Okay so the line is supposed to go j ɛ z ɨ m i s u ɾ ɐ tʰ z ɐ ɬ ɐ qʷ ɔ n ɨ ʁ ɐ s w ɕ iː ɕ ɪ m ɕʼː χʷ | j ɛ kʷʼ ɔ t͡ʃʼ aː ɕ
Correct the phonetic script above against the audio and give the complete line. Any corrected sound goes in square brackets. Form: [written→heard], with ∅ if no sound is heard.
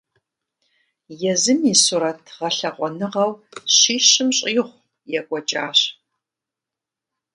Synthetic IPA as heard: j ɛ z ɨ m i s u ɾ ɐ tʰ [z→ʁ] ɐ ɬ ɐ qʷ ɔ n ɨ ʁ ɐ [s→∅] w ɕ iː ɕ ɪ m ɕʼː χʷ | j ɛ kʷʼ ɔ t͡ʃʼ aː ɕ